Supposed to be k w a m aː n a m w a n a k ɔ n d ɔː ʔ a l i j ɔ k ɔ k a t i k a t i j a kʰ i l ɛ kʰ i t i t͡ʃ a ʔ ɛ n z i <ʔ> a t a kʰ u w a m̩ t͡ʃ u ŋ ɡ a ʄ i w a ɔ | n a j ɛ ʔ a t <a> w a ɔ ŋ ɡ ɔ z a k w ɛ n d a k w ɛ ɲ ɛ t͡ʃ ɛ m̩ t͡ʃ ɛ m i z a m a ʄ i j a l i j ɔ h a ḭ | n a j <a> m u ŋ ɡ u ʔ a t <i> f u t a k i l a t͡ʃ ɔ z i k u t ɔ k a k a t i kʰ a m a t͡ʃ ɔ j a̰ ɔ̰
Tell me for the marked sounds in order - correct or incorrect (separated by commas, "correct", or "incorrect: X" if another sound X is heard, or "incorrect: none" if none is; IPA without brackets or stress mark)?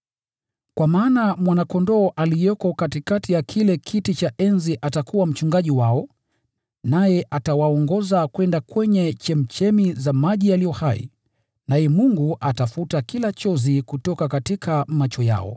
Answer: correct, correct, incorrect: ɛ, incorrect: a